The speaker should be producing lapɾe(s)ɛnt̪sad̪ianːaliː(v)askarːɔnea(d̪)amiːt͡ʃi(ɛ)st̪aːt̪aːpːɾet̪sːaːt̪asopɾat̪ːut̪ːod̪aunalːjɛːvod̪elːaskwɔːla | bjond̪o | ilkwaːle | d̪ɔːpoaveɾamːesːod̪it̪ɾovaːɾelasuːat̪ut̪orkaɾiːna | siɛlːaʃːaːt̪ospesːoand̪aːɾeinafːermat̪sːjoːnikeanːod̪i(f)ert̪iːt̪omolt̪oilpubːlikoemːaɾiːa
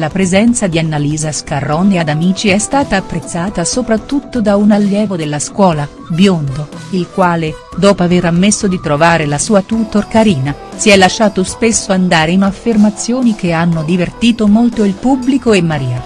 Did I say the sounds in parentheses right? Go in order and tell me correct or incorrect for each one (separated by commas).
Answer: incorrect, incorrect, correct, correct, incorrect